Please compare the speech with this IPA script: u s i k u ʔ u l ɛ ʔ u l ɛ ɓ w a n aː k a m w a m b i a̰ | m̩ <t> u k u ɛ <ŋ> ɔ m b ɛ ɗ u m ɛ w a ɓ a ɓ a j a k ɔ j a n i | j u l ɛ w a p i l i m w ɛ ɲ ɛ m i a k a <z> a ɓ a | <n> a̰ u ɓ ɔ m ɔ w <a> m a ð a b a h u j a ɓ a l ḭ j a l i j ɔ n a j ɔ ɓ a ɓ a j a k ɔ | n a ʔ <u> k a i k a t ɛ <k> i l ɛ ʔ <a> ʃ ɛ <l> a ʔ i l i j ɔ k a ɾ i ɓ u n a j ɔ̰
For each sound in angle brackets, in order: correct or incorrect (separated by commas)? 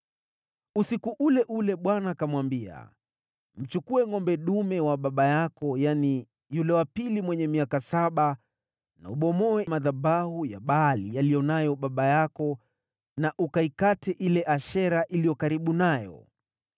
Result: incorrect, correct, incorrect, correct, incorrect, correct, incorrect, correct, incorrect